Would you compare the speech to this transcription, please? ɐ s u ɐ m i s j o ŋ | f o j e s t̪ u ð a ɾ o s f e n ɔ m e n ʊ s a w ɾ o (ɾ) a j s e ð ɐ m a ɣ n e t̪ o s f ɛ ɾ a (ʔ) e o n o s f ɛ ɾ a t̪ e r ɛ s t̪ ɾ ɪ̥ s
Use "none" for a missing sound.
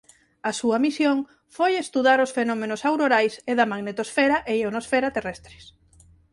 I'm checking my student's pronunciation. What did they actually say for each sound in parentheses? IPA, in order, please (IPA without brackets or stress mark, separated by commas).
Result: ɾ, ʔ